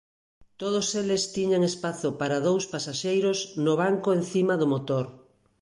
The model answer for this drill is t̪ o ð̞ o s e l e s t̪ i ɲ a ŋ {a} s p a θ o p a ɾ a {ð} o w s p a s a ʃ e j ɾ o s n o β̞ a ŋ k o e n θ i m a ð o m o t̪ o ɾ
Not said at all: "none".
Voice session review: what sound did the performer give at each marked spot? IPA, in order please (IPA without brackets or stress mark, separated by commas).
e, ð